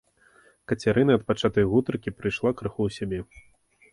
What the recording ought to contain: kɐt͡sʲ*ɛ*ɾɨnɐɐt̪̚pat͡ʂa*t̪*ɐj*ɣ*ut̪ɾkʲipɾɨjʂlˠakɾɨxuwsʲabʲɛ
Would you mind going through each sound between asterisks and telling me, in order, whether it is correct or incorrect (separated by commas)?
incorrect, correct, correct